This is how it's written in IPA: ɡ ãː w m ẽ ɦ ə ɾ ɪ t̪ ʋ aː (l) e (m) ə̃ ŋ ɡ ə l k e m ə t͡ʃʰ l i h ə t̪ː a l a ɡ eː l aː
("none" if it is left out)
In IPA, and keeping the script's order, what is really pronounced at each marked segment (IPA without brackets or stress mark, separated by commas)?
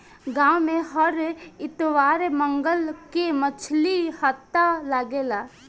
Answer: ɾ, m